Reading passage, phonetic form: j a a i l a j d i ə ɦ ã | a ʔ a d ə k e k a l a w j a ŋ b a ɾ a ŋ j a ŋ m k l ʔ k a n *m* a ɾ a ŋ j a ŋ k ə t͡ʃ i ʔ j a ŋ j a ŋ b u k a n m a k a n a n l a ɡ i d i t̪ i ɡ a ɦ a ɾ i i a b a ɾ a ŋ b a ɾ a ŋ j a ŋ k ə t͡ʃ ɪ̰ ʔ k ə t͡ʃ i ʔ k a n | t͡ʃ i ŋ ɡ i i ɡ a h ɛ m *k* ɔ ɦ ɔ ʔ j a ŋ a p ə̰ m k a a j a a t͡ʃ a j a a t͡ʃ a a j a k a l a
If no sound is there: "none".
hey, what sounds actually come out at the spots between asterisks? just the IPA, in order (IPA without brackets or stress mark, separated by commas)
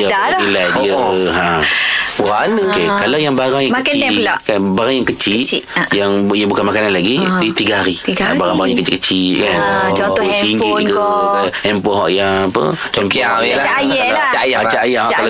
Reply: b, p